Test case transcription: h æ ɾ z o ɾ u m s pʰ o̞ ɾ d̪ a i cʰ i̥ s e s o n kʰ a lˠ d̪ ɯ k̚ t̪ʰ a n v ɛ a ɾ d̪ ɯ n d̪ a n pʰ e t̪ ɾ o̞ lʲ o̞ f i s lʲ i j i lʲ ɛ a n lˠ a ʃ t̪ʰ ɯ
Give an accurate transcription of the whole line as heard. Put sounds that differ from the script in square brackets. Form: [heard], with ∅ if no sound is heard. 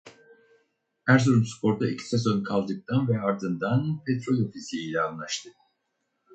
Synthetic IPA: h æ ɾ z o ɾ u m s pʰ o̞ ɾ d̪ a i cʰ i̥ s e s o n kʰ a lˠ d̪ ɯ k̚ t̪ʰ a n v ɛ a ɾ d̪ ɯ n d̪ a n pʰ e t̪ ɾ o̞ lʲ o̞ f i s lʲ i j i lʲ ɛ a n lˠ a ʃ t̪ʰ ɯ